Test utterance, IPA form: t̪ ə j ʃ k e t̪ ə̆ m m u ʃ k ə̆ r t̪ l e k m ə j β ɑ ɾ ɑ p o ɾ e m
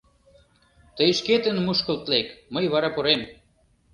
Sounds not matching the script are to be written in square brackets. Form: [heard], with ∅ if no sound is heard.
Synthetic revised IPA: t̪ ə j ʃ k e t̪ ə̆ [n] m u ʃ k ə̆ [l] t̪ l e k m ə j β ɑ ɾ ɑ p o ɾ e m

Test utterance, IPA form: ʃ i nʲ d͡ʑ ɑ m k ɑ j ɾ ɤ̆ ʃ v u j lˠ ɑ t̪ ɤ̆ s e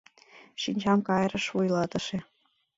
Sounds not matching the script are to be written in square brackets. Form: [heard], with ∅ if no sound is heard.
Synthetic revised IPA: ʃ i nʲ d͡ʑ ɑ m k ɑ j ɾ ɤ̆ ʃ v u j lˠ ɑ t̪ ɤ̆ [ʃ] e

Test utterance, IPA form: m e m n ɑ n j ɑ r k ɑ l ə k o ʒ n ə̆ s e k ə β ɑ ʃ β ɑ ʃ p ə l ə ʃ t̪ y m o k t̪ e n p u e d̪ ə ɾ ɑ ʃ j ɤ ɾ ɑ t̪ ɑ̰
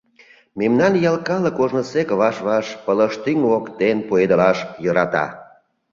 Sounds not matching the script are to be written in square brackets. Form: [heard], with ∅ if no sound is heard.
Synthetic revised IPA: m e m n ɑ n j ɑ [l] k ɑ l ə k o ʒ n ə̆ s e k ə β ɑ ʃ β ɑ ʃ p ə l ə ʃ t̪ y [ŋ] o k t̪ e n p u e d̪ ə [l] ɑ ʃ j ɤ ɾ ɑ t̪ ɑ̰

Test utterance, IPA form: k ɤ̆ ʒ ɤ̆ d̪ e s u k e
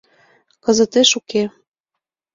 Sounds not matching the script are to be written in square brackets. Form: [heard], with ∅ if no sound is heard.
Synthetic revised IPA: k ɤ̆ [z] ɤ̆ [t̪] e [ʃ] u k e

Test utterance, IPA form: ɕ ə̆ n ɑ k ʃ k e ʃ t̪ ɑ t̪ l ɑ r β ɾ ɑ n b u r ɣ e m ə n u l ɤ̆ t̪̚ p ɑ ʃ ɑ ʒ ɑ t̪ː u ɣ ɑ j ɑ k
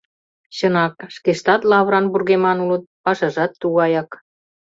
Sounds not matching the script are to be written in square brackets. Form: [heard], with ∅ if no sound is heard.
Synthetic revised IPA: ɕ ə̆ n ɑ k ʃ k e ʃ t̪ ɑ t̪ l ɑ [∅] β ɾ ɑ n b u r ɣ e m [ɑ] n u l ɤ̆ t̪̚ p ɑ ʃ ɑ ʒ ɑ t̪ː u ɣ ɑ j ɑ k

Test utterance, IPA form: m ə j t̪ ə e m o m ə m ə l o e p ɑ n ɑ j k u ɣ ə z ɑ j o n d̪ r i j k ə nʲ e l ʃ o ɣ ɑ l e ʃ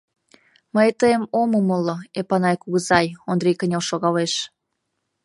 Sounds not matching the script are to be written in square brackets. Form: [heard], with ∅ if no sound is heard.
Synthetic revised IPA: m ə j t̪ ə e m o m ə m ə l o e p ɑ n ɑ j k u ɣ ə z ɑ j o n d̪ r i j k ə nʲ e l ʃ o ɣ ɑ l e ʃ

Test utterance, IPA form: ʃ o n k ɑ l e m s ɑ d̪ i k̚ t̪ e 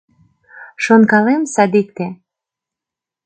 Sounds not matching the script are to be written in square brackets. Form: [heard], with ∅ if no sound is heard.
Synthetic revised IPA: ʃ o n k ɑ l e m s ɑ d̪ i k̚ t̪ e

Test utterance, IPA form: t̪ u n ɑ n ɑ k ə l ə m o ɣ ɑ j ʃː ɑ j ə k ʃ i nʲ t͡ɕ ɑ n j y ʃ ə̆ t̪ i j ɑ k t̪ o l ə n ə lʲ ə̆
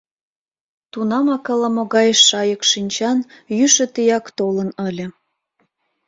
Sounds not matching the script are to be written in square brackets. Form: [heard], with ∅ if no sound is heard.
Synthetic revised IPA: t̪ u n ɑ [m] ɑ k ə l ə m o ɣ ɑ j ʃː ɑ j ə k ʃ i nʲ t͡ɕ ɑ n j y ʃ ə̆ t̪ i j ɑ k t̪ o l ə n ə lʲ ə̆

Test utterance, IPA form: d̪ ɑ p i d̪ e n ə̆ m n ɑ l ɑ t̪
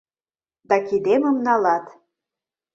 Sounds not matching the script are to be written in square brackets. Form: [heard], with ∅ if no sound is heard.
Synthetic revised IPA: d̪ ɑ [k] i d̪ e [m] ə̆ m n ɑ l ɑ t̪

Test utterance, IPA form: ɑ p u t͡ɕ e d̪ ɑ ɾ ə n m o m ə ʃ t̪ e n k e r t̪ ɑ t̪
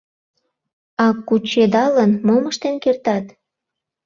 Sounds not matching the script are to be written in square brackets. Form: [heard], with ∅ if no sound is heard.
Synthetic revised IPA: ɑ [k] u t͡ɕ e d̪ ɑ [l] ə n m o m ə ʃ t̪ e n k e r t̪ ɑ t̪

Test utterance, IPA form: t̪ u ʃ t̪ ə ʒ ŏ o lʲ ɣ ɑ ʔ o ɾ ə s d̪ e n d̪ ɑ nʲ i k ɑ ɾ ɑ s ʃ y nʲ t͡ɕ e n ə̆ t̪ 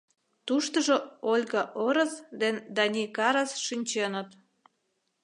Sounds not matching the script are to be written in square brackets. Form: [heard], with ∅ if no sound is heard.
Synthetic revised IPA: t̪ u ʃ t̪ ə ʒ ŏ o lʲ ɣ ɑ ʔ o ɾ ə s d̪ e n d̪ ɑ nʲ i k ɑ ɾ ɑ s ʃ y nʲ t͡ɕ e n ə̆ t̪

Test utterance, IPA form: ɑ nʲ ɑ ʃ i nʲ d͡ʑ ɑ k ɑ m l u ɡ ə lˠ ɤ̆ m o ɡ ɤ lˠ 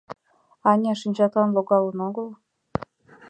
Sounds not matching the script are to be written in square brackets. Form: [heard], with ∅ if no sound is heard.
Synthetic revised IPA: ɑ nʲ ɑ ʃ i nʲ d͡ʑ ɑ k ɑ [n] l [o] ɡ [ɑ] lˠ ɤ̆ [n] o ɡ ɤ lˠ

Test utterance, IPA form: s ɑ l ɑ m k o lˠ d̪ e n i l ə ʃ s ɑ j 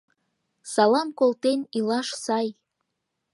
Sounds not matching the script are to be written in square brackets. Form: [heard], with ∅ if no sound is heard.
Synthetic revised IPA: s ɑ l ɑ m k o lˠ [t̪] e n i l [ɑ] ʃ s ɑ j

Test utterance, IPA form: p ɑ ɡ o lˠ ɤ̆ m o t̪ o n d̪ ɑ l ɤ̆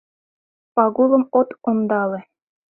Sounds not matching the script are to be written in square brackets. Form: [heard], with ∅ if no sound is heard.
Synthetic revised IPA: p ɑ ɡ [u] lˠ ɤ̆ m o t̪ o n d̪ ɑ l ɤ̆

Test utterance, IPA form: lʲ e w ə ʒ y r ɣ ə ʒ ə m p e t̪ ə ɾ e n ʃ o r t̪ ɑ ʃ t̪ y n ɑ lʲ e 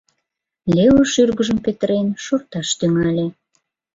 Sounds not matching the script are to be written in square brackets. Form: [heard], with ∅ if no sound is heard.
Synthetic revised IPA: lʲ e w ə [ʃ] y r ɣ ə ʒ ə m p e t̪ ə ɾ e n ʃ o r t̪ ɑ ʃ t̪ y [ŋ] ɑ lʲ e

